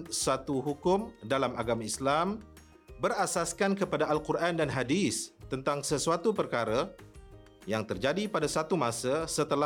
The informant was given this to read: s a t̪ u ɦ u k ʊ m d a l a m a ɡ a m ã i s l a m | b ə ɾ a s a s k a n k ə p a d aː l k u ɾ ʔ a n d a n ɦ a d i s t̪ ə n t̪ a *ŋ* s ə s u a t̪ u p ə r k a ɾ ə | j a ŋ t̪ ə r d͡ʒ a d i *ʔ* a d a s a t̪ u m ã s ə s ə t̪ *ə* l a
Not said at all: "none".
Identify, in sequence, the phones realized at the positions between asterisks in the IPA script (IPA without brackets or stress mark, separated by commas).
ŋ, p, ə